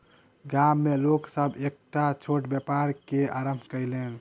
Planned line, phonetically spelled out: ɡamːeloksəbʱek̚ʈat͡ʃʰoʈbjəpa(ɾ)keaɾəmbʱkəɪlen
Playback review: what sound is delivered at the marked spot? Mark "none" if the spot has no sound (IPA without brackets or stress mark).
ɾ